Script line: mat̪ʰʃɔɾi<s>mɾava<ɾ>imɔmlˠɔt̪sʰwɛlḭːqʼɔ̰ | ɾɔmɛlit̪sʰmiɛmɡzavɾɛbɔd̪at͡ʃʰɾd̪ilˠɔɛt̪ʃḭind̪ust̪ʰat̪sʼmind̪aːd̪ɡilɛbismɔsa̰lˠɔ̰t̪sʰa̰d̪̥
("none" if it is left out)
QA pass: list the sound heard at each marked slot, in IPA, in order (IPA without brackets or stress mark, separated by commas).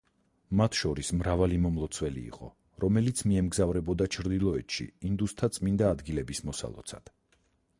s, l